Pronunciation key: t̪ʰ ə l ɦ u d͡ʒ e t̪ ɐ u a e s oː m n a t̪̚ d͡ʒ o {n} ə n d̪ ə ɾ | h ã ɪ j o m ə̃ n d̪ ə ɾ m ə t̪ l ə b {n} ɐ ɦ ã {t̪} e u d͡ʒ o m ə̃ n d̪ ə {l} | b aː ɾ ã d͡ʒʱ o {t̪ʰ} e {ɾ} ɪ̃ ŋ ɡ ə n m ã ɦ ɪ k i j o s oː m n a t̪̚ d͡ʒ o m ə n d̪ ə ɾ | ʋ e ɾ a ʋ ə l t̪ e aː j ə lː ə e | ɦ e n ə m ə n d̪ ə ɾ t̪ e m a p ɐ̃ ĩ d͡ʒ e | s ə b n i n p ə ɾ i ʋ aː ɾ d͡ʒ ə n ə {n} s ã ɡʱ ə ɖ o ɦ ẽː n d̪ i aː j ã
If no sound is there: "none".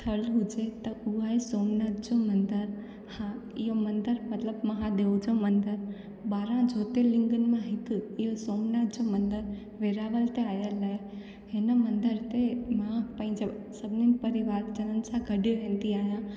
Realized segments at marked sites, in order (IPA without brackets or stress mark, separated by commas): m, m, d̪, ɾ, t̪, l, n